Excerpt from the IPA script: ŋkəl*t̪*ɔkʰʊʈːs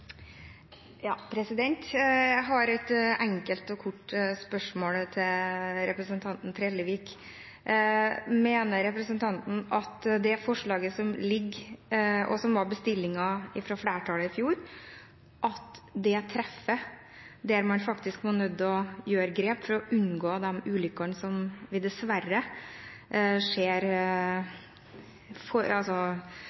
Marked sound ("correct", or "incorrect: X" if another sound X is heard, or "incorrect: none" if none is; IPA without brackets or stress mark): correct